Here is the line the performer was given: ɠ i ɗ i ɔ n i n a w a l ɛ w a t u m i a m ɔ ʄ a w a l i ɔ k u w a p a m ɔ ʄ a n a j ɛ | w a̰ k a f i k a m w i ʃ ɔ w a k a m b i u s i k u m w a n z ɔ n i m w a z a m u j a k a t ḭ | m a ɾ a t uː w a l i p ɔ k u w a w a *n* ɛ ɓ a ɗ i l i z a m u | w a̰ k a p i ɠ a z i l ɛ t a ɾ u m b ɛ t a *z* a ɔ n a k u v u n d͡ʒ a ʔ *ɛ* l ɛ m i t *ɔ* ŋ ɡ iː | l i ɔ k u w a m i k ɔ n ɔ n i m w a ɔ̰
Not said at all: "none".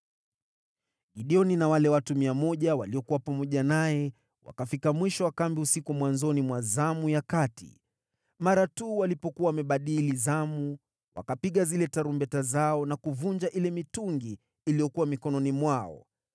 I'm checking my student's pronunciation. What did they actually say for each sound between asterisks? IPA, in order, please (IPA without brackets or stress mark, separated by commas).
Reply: m, z, i, u